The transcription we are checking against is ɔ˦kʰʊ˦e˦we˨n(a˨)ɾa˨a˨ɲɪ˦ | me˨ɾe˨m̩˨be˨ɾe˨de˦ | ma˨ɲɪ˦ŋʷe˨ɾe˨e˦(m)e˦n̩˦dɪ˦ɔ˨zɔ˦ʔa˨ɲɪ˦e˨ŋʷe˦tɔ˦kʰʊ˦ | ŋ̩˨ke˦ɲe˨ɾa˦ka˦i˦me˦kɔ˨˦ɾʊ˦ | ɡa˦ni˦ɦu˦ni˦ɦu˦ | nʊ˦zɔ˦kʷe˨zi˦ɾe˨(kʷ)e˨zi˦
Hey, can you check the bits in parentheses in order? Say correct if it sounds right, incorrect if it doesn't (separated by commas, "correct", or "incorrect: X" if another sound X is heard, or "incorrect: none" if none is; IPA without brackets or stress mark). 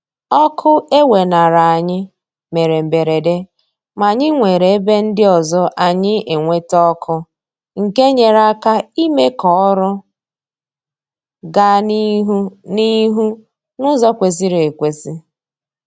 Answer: correct, incorrect: b, correct